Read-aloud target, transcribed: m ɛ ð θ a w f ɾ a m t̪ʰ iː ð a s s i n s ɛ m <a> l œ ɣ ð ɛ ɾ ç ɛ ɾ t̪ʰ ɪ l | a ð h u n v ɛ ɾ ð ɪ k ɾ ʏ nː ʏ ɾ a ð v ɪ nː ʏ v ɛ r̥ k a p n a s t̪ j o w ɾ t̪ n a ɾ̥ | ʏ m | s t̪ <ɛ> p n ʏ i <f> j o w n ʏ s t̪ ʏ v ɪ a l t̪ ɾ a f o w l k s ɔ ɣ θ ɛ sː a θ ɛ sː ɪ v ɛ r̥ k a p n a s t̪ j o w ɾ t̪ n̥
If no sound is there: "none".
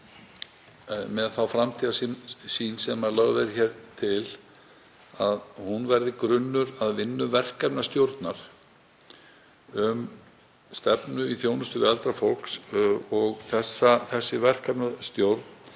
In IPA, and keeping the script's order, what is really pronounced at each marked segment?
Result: a, ɛ, θ

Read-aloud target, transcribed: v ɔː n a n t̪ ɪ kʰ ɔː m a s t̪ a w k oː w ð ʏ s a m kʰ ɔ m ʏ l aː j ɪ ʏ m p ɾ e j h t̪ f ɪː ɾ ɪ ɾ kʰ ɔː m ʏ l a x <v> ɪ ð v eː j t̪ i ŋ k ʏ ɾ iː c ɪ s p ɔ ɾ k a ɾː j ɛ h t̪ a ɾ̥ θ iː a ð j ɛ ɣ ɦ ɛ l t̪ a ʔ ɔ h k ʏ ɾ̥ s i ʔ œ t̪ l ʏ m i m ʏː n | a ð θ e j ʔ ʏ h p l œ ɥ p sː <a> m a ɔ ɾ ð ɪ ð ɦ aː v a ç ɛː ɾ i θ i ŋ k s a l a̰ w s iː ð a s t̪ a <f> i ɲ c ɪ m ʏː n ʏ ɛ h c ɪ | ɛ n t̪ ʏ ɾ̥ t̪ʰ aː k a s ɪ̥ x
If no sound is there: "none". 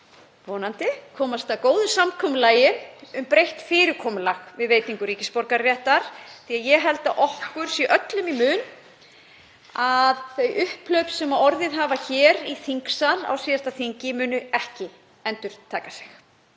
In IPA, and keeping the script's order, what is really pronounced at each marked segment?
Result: v, ɛ, θ

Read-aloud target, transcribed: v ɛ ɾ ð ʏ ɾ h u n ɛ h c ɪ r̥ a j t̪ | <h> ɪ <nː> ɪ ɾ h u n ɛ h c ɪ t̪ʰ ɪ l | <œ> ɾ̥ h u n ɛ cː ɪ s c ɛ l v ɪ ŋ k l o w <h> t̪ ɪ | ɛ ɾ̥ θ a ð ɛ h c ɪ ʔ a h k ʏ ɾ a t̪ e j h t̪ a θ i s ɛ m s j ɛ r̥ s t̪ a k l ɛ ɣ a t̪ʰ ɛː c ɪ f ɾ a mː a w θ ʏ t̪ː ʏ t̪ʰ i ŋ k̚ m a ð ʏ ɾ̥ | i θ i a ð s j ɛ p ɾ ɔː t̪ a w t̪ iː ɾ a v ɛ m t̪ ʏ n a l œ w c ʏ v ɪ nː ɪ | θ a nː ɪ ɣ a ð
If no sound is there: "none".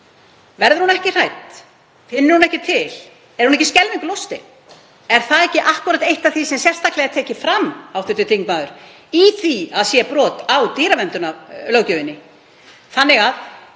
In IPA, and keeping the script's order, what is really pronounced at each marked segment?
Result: f, nː, ɛ, s

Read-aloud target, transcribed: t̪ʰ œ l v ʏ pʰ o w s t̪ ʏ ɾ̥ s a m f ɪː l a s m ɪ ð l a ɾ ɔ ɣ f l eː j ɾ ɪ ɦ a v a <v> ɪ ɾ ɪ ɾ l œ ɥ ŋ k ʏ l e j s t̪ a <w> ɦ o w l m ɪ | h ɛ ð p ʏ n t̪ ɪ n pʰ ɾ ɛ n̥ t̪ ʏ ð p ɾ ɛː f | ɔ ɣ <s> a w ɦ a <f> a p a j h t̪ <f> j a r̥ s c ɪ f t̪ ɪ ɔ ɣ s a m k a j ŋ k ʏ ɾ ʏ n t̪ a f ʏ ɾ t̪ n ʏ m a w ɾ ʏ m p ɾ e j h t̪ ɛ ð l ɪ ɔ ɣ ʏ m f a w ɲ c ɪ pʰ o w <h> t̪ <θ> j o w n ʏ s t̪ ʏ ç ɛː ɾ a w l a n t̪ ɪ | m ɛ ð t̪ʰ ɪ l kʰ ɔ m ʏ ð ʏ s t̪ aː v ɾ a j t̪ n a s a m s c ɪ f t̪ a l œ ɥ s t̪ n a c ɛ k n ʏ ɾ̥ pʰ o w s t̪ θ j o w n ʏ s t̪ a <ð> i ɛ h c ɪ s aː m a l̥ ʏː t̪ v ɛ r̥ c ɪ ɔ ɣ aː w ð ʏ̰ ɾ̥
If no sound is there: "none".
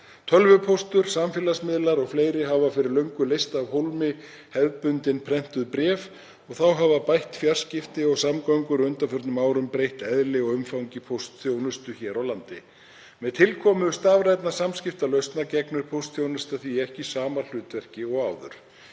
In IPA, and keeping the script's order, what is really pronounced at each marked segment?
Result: f, v, θ, v, f, s, θ, θ

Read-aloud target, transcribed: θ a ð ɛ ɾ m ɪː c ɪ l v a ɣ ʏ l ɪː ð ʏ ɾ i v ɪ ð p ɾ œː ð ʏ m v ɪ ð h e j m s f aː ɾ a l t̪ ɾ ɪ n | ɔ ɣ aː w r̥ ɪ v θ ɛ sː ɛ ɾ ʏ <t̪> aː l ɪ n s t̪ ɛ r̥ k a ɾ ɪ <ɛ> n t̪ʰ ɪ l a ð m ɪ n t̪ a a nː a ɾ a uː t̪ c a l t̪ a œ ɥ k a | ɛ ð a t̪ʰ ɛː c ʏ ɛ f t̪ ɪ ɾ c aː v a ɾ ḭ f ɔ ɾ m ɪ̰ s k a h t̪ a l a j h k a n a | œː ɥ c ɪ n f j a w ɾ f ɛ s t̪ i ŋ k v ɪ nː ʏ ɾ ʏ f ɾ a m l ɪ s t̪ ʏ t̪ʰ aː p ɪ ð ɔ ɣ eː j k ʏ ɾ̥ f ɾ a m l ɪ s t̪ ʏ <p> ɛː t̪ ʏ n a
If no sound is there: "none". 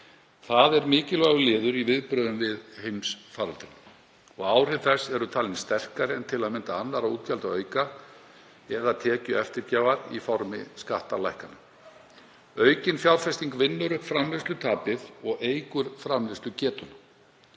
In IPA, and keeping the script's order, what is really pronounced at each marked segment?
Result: t̪ʰ, ɛ, c

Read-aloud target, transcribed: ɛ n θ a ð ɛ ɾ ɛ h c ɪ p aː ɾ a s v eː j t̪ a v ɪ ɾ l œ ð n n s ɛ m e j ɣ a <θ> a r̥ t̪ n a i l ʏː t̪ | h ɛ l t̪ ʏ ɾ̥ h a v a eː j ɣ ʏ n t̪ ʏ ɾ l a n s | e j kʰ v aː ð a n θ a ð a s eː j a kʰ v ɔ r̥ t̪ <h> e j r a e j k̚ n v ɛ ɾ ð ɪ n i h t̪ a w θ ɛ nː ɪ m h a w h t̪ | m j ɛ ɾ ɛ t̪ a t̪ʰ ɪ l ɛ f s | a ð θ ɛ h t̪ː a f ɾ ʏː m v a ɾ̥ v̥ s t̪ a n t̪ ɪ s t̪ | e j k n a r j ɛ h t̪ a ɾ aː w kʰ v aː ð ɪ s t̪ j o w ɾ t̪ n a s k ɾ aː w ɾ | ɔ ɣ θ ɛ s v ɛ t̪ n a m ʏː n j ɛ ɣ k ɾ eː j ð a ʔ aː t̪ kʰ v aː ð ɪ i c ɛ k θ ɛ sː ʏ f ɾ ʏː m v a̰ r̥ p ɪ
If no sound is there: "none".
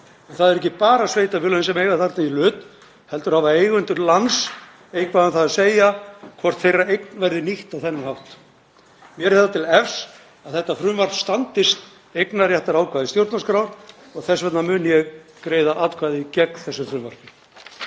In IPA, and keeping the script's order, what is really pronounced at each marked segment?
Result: θ, θ

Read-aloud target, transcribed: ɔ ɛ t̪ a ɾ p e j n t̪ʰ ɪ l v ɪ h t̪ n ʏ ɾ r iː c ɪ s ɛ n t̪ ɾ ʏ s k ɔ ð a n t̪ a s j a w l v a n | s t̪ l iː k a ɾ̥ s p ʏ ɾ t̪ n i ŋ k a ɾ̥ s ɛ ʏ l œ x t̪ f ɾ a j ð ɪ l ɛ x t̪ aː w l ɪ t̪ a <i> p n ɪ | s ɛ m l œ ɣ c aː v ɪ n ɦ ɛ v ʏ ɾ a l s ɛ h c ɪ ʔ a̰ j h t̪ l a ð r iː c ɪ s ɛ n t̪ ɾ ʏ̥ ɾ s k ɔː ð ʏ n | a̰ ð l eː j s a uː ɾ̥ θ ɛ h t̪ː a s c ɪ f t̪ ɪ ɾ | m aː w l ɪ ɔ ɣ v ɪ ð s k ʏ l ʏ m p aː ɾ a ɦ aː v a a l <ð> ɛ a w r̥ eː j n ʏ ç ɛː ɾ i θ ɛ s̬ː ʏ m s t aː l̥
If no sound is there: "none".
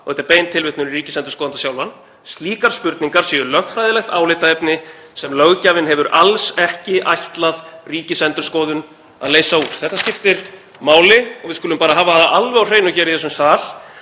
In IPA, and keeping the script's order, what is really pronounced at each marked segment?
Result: ɛ, v

